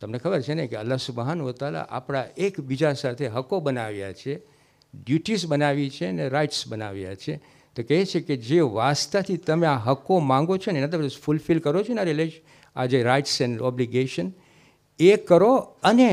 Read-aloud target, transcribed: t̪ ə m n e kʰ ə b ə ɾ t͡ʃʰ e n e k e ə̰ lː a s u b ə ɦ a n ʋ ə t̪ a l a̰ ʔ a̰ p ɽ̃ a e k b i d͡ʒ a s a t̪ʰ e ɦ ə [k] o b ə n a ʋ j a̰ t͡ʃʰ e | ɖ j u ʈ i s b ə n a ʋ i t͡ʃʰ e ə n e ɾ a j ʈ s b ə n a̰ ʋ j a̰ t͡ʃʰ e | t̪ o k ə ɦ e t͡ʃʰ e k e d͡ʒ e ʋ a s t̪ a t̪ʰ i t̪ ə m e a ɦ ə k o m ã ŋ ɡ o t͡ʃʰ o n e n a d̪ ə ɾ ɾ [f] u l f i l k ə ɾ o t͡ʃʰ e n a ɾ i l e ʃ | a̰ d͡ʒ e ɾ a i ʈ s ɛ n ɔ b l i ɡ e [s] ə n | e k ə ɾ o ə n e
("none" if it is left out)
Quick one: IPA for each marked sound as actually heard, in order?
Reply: k, f, ʃ

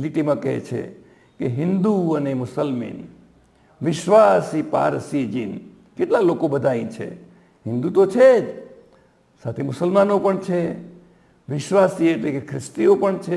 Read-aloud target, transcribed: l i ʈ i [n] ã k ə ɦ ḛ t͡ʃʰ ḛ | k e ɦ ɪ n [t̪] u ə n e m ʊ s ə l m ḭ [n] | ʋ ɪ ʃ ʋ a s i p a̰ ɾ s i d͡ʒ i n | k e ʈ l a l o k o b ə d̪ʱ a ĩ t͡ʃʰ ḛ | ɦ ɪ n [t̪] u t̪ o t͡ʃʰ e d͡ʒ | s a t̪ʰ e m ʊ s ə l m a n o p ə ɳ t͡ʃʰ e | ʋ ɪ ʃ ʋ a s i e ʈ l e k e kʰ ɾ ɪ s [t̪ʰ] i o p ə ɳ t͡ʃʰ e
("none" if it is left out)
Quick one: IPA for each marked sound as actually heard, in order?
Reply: m, d̪, n, d̪, t̪

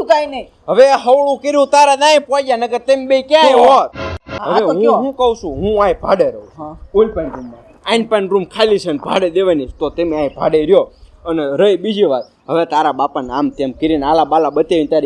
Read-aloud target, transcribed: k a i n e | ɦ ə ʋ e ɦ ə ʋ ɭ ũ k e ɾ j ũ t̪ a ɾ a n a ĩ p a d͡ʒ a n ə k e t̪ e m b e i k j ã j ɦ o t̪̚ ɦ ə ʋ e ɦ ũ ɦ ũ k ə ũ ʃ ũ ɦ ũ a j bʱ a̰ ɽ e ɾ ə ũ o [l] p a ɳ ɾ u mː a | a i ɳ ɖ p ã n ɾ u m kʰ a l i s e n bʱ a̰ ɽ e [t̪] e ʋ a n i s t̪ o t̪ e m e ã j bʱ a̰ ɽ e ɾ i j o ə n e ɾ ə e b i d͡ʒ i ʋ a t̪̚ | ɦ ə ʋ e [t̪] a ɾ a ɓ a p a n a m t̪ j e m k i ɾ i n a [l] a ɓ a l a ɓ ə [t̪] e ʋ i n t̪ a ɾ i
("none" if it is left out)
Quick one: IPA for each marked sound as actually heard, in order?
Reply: l, d̪, t̪, l, t̪

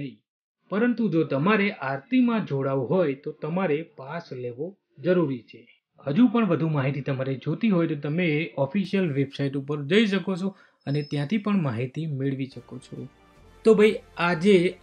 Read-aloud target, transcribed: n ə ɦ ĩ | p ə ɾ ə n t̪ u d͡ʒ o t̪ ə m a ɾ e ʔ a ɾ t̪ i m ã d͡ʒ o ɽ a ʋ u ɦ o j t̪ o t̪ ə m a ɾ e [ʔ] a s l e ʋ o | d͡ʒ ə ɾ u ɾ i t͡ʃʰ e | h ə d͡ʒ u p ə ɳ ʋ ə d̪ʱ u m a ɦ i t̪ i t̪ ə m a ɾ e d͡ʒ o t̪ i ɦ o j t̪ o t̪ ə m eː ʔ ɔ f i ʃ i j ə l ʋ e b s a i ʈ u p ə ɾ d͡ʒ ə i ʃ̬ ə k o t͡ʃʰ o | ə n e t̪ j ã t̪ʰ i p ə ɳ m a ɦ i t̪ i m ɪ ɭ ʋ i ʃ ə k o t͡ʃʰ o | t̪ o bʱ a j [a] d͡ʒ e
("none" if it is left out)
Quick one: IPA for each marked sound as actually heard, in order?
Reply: p, a

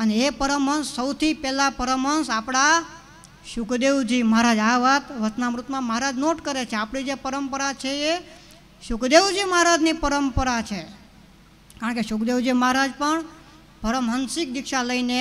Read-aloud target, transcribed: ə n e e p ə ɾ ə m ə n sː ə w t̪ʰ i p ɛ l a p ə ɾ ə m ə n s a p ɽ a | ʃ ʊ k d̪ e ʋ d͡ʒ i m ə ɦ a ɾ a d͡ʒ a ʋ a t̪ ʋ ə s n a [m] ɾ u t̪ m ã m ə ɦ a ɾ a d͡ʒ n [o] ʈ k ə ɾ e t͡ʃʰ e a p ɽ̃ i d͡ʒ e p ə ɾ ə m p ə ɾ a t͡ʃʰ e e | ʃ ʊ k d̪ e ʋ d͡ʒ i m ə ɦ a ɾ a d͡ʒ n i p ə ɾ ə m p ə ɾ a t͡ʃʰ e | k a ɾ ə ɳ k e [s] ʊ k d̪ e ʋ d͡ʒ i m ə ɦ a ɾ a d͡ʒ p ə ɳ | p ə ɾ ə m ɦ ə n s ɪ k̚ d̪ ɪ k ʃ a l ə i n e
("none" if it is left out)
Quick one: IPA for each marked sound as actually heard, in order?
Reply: m, o, ʃ

